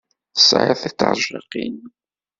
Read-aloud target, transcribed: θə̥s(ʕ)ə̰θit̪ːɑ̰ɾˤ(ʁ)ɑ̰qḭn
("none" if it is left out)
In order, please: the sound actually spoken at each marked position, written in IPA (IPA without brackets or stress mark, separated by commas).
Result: ʕ, ʒ